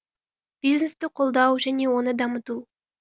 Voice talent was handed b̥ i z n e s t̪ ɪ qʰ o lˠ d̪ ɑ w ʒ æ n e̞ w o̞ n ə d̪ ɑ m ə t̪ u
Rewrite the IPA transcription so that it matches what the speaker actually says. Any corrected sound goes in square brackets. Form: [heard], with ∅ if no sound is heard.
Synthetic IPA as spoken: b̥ i z n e s t̪ ɪ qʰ o lˠ d̪ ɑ w ʒ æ n e̞ w o̞ n ə d̪ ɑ m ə t̪ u